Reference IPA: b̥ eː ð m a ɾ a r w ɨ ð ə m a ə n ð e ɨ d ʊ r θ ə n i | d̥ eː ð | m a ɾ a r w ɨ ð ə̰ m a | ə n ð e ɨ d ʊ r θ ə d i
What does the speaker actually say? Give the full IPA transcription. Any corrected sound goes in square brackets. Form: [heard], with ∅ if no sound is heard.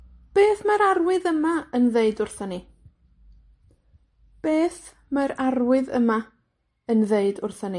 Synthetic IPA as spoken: b̥ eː [θ] m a ɾ a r w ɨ ð ə m a ə n ð e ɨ d ʊ r θ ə n i | [b̥] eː [θ] | m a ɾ a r w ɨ ð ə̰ m a | ə n ð e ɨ d ʊ r θ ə [n] i